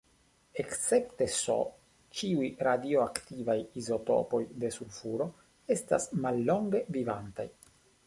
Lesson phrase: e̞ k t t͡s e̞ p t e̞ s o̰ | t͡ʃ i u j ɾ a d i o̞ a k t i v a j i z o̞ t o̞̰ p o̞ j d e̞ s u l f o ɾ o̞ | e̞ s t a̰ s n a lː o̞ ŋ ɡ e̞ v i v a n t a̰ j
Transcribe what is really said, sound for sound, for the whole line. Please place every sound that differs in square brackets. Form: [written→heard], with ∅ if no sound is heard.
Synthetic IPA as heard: e̞ k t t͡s e̞ p t e̞ s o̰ | t͡ʃ i u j ɾ a d i o̞ a k t i v a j i z o̞ t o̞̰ p o̞ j d e̞ s u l f [o→u] ɾ o̞ | e̞ s t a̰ s [n→m] a lː o̞ ŋ ɡ e̞ v i v a n t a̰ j